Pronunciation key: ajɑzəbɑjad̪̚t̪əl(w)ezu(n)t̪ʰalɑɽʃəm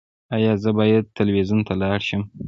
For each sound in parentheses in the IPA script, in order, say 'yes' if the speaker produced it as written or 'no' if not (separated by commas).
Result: yes, yes